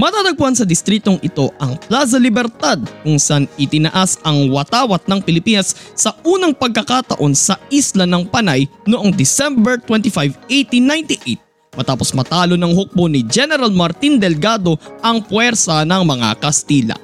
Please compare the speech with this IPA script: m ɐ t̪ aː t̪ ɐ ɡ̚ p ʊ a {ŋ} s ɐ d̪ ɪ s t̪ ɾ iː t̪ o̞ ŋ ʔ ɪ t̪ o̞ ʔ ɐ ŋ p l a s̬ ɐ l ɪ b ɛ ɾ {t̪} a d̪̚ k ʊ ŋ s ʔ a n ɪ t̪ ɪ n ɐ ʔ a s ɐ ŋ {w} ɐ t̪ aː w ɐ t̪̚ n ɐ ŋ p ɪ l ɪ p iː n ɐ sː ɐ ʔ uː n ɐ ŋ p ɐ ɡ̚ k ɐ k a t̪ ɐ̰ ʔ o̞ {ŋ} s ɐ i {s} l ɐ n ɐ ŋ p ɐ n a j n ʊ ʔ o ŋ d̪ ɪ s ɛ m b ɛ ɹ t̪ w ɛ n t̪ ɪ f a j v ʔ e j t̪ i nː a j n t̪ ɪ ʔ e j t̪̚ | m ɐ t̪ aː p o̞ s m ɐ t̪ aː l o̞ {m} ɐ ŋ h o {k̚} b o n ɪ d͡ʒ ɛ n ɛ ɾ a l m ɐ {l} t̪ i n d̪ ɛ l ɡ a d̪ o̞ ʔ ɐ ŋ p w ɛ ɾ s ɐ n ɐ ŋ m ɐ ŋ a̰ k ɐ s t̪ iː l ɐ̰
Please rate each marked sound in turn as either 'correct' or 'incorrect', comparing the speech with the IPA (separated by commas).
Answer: incorrect, correct, correct, incorrect, correct, incorrect, correct, incorrect